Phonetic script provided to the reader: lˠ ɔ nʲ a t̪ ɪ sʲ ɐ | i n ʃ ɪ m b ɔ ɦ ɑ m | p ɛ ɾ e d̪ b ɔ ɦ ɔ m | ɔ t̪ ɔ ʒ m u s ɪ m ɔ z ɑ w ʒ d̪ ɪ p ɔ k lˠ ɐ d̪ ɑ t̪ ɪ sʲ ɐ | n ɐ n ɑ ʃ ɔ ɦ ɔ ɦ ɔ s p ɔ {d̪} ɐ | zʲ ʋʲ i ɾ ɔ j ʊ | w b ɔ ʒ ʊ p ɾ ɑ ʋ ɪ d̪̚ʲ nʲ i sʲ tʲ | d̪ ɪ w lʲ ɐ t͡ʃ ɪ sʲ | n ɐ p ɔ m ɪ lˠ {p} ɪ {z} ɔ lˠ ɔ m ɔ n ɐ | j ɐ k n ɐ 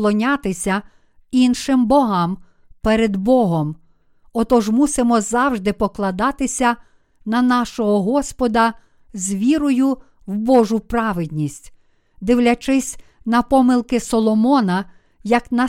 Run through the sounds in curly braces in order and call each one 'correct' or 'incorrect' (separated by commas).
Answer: correct, incorrect, incorrect